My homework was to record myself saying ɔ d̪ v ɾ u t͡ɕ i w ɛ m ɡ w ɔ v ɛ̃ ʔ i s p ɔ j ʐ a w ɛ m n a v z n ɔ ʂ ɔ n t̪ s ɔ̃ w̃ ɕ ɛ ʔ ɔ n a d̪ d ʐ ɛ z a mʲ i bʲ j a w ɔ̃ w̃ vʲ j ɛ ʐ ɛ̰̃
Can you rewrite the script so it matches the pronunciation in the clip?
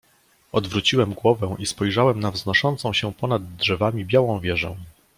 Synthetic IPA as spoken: ɔ d̪ v ɾ u t͡ɕ i w ɛ m ɡ w ɔ v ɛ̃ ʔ i s p ɔ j ʐ a w ɛ m n a v z n ɔ ʂ ɔ n t̪ s ɔ̃ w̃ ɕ ɛ p ɔ n a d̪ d ʐ ɛ v a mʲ i bʲ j a w ɔ̃ w̃ vʲ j ɛ ʐ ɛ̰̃